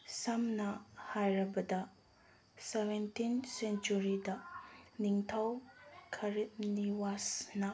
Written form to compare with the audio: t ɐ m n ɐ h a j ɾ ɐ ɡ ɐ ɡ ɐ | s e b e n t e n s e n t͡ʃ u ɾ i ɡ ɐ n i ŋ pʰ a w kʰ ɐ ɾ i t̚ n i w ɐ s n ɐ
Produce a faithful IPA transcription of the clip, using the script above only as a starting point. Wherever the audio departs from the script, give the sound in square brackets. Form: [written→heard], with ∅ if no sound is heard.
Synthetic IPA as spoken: [t→s] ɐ m n ɐ h a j ɾ ɐ [ɡ→b] ɐ [ɡ→d] ɐ | s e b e n t [e→i] n s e n t͡ʃ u ɾ i [ɡ→d] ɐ n i ŋ [pʰ→tʰ] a w kʰ ɐ ɾ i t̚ n i w [ɐ→a] s n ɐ